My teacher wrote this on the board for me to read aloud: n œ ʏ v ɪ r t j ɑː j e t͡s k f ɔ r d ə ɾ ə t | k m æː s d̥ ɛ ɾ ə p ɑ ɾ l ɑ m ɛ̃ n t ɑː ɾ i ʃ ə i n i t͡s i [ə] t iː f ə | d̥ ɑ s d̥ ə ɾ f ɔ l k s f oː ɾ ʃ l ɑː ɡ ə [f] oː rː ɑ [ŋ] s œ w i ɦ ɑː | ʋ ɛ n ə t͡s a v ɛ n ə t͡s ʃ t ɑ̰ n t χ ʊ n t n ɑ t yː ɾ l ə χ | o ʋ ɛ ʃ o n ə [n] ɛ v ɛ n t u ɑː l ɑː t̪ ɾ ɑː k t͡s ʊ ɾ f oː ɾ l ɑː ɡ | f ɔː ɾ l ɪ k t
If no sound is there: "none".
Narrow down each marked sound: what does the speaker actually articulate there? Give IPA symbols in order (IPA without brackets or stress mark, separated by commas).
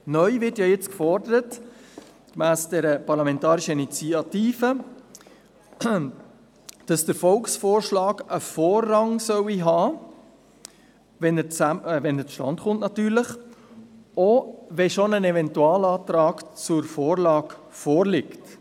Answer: ɑ, f, ŋ, n